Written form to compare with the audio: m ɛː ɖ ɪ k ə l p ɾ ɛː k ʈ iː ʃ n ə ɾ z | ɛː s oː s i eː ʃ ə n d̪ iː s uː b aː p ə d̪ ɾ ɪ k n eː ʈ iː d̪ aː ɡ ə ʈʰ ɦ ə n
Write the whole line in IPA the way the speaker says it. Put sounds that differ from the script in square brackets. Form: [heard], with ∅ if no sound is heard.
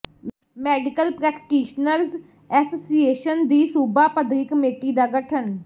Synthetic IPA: m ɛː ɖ ɪ k ə l p ɾ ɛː k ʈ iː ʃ n ə ɾ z | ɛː s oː s i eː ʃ ə n d̪ iː s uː b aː p ə d̪ ɾ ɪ k [m] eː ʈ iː d̪ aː ɡ ə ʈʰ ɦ ə n

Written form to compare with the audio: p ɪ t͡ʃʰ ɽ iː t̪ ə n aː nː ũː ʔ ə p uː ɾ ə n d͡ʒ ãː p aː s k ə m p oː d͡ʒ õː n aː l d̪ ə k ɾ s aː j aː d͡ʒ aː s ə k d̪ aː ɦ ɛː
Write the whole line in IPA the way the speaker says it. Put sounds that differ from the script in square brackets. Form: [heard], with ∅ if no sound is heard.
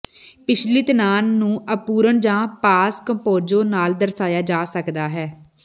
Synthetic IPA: p ɪ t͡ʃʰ [l] iː t̪ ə n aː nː ũː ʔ ə p uː ɾ ə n d͡ʒ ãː p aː s k ə m p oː d͡ʒ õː n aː l d̪ ə [∅] ɾ s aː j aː d͡ʒ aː s ə k d̪ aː ɦ ɛː

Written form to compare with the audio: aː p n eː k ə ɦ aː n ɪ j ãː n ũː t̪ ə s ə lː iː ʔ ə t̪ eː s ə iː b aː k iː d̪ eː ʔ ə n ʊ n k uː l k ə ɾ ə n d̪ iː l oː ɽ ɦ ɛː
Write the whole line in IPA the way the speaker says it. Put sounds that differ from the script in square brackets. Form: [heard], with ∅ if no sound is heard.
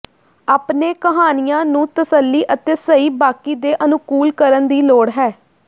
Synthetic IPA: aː p n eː k ə ɦ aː n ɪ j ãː n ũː t̪ ə s ə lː iː ʔ ə t̪ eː s ə iː b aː k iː d̪ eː ʔ ə n ʊ [∅] k uː l k ə ɾ ə n d̪ iː l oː ɽ ɦ ɛː

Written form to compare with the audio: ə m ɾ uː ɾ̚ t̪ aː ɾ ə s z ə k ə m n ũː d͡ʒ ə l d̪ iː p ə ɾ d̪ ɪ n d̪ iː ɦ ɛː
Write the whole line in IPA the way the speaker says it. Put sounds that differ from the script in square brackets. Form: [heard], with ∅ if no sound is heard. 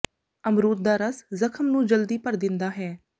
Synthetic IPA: ə m ɾ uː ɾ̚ [d̪] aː ɾ ə s z ə [kʰ] ə m n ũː d͡ʒ ə l d̪ iː p ə ɾ d̪ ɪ n d̪ [aː] ɦ ɛː

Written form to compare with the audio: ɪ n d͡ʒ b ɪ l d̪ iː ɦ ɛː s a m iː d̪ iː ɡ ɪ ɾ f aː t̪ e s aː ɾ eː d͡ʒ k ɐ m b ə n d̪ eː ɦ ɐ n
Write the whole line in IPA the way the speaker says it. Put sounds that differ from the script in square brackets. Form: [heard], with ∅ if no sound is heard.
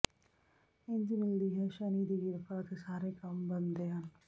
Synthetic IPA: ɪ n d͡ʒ [m] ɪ l d̪ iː ɦ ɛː [ʃ] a [n] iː d̪ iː ɡ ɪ ɾ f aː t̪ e s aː ɾ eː [∅] k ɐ m b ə n d̪ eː ɦ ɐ n

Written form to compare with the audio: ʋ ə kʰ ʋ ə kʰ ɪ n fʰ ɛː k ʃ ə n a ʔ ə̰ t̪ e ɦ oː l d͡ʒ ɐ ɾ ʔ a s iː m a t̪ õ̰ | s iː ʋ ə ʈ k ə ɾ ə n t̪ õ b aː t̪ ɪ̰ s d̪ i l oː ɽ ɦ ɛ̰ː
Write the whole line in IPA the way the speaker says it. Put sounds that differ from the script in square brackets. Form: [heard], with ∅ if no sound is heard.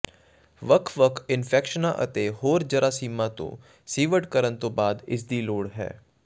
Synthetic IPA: ʋ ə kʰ ʋ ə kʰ ɪ n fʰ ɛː k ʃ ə n a ʔ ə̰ t̪ e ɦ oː [ɾ] d͡ʒ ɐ ɾ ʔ a s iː m a t̪ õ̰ | s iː ʋ ə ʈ k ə ɾ ə n t̪ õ b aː [d̪] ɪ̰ s d̪ i l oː ɽ ɦ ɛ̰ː

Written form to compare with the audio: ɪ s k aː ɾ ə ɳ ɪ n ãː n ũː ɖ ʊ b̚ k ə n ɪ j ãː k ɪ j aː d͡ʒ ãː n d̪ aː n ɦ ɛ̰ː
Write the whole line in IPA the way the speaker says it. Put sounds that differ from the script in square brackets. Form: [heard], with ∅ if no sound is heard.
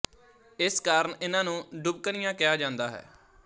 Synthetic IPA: ɪ s k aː ɾ ə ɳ ɪ n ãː n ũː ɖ ʊ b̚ k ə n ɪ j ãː k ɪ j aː d͡ʒ ãː n d̪ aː [∅] ɦ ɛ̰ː

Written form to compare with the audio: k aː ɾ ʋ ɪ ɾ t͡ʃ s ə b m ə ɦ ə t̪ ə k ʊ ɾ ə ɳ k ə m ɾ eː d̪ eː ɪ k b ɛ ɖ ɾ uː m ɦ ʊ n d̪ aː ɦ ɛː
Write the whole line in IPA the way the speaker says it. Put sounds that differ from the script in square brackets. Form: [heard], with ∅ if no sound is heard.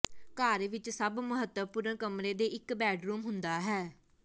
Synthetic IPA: k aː ɾ ʋ ɪ [∅] t͡ʃ s ə b m ə ɦ ə t̪ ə [p] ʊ ɾ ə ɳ k ə m ɾ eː d̪ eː ɪ k b [ɛː] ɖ ɾ uː m ɦ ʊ n d̪ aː ɦ ɛː

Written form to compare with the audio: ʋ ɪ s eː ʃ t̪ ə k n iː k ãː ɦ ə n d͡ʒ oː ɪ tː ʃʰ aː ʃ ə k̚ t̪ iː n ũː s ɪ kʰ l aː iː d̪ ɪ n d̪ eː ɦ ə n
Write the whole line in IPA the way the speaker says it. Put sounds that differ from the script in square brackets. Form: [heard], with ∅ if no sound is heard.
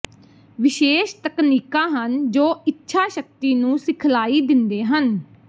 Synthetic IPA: ʋ ɪ [ʃ] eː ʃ t̪ ə k n iː k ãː ɦ ə n d͡ʒ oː ɪ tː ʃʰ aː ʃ ə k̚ t̪ iː n ũː s ɪ kʰ l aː iː d̪ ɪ n d̪ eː ɦ ə n

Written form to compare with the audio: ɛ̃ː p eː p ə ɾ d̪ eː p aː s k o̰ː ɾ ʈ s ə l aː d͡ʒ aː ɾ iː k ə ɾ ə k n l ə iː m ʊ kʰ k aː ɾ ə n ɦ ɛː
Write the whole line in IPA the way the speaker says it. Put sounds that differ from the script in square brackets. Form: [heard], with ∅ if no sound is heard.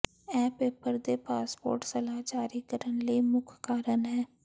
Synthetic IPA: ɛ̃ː p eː p ə ɾ d̪ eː p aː s [p] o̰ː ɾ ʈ s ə l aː d͡ʒ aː ɾ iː k ə ɾ ə [∅] n l ə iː m ʊ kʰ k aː ɾ ə n ɦ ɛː

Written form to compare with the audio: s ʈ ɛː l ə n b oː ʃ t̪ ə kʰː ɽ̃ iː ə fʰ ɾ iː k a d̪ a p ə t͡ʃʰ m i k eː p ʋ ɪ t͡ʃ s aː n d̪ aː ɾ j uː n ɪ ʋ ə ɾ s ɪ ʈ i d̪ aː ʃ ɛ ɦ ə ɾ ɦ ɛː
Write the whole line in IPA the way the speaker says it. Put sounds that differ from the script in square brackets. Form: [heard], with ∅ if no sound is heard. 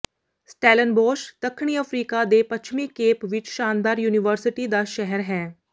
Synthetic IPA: s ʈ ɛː l ə n b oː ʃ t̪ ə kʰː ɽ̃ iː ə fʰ ɾ iː k a d̪ [e] p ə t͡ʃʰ m i k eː p ʋ ɪ t͡ʃ [ʃ] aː n d̪ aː ɾ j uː n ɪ ʋ ə ɾ s ɪ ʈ i d̪ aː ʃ ɛ ɦ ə ɾ ɦ ɛː

